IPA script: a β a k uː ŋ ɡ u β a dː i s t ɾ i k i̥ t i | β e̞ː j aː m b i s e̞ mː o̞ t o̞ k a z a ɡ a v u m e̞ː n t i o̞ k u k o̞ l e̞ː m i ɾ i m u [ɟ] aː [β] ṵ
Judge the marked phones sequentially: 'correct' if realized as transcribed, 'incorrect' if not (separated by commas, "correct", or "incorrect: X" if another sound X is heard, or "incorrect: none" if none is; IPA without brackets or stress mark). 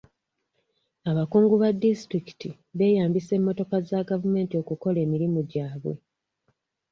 correct, correct